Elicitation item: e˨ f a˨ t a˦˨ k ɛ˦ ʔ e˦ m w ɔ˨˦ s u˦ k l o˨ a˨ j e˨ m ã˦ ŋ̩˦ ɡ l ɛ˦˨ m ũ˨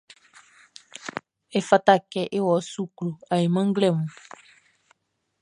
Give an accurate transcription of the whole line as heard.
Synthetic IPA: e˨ f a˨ t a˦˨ k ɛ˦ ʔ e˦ w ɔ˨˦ s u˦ k l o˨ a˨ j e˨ m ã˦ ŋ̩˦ ɡ l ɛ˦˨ m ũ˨